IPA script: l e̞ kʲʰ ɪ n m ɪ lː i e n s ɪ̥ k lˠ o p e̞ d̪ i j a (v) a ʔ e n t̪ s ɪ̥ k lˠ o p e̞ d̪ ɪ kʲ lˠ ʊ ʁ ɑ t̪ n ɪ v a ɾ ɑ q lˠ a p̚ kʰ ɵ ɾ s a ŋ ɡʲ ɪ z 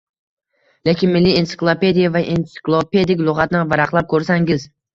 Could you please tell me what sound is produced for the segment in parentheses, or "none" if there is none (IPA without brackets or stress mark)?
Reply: v